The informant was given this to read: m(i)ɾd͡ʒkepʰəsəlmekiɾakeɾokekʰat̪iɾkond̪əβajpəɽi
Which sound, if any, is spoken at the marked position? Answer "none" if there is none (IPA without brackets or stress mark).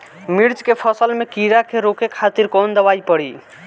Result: i